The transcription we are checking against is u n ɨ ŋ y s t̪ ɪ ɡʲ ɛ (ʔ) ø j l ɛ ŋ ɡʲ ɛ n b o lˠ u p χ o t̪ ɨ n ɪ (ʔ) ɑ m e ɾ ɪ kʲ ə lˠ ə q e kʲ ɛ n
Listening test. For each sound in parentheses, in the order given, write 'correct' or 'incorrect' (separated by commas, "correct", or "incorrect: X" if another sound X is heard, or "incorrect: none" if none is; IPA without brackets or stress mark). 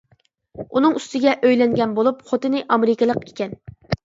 correct, correct